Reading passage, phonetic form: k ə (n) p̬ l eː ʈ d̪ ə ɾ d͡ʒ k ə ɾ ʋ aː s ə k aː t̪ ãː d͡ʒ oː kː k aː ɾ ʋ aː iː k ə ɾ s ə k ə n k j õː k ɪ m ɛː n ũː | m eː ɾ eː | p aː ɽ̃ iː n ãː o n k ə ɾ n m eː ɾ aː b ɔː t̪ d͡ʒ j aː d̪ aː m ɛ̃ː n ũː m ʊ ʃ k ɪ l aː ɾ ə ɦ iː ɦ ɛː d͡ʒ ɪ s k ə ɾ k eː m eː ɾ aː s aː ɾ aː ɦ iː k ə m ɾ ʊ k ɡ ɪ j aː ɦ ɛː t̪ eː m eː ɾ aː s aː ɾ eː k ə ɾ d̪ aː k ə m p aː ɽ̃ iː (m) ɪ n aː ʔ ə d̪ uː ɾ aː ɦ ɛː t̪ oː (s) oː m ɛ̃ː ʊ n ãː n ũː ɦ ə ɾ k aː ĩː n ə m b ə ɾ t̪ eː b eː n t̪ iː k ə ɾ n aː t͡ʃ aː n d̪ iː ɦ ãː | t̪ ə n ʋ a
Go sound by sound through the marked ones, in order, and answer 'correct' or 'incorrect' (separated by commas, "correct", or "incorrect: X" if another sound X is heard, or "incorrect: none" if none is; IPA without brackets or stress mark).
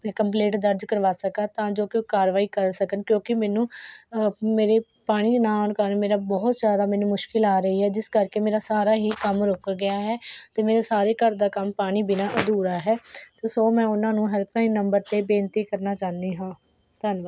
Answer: incorrect: m, incorrect: b, correct